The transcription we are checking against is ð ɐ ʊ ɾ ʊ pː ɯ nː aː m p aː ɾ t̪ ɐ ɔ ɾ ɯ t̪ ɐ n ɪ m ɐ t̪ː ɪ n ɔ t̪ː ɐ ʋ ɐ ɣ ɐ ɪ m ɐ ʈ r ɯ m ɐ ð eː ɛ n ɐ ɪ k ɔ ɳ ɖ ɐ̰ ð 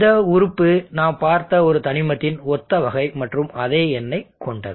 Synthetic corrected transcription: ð ɐ ʊ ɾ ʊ pː ɯ n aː m p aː ɾ t̪ ɐ ɔ ɾ ɯ t̪ ɐ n ɪ m ɐ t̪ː ɪ n ɔ t̪ː ɐ ʋ ɐ ɣ ɐ ɪ m ɐ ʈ r ɯ m ɐ ð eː ɛ nː ɐ ɪ k ɔ ɳ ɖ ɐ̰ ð